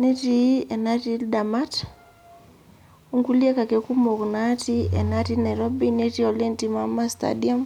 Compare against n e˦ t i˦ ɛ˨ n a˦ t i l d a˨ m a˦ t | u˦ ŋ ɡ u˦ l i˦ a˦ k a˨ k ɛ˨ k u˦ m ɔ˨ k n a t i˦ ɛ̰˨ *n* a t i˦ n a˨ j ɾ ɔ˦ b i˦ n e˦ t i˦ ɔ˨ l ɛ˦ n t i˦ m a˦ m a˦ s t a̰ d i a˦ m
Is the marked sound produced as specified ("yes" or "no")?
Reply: yes